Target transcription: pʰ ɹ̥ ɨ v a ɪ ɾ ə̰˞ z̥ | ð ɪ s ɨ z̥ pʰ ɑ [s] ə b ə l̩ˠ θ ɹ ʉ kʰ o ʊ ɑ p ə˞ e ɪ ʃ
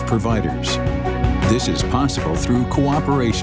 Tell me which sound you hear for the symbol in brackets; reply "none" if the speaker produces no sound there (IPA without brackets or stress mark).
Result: s